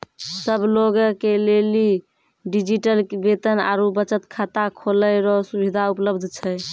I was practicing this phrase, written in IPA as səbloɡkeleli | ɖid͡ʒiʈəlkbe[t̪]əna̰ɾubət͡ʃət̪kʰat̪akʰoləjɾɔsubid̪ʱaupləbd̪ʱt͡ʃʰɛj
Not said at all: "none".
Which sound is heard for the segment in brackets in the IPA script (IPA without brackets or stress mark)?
t̪